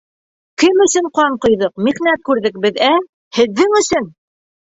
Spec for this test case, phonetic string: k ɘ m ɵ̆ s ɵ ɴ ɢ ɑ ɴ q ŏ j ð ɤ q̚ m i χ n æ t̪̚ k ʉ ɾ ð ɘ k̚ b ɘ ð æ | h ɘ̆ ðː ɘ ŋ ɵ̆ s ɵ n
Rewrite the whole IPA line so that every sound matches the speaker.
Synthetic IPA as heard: k ɘ m ɵ̆ s ɵ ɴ q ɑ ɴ q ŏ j ð ɤ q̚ m i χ n æ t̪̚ k ʉ ɾ ð ɘ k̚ b ɘ ð æ | h ɘ̆ ðː ɘ ŋ ɵ̆ s ɵ n